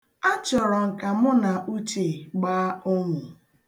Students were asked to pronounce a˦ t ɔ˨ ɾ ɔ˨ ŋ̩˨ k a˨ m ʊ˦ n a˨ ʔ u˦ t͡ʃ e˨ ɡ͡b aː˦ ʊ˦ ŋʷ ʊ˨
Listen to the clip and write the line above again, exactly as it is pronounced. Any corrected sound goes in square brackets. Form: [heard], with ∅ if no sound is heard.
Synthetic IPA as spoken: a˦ [t͡ʃ] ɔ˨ ɾ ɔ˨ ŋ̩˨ k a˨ m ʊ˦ n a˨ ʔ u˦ t͡ʃ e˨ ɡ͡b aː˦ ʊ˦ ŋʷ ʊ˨